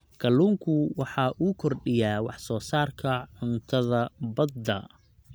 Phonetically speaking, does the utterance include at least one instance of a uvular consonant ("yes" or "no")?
no